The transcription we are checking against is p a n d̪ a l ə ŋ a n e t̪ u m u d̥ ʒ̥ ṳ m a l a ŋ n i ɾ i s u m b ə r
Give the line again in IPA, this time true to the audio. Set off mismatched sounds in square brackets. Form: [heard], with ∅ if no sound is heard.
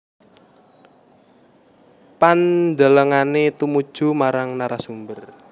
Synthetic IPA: p a n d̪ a l ə ŋ a n e t̪ u m u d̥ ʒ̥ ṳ m a [ɾ] a ŋ n [a] ɾ [a] s u m b ə r

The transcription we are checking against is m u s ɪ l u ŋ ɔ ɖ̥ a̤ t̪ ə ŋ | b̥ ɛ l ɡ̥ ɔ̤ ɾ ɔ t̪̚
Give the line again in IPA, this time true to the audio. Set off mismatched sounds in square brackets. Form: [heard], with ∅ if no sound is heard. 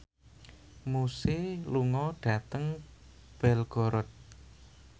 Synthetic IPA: m u s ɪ l u ŋ ɔ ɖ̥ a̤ t̪ ə ŋ | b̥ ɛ l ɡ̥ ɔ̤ ɾ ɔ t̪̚

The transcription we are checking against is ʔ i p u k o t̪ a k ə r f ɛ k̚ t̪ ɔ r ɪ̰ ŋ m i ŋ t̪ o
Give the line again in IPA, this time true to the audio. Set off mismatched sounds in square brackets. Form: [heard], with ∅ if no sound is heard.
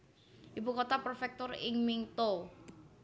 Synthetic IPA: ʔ i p u k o t̪ a [p] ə r f ɛ k̚ t̪ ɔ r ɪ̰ ŋ m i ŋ t̪ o

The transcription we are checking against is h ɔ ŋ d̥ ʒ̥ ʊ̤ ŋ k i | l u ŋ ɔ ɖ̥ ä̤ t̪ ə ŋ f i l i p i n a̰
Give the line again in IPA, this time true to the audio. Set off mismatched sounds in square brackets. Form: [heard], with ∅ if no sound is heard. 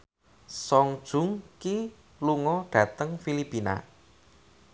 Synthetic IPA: [s] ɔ ŋ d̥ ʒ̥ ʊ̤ ŋ k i | l u ŋ ɔ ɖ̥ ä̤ t̪ ə ŋ f i l i p i n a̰

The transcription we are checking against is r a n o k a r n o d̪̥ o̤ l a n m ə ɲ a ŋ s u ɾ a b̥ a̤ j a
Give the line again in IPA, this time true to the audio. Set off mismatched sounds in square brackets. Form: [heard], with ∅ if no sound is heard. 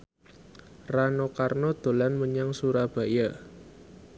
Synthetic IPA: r a n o k a r n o d̪̥ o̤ l a n m ə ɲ a ŋ s u ɾ a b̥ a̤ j a

